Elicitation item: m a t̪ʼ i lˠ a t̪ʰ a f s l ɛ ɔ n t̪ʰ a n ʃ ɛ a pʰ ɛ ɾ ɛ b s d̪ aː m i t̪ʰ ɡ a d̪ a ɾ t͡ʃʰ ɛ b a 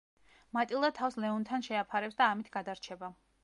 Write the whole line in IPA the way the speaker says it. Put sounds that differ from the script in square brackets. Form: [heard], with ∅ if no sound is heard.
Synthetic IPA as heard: m a t̪ʼ i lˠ a t̪ʰ a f s l ɛ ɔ n t̪ʰ a n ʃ ɛ a pʰ [a] ɾ ɛ [p] s d̪ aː m i t̪ʰ ɡ a d̪ a ɾ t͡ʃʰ ɛ b a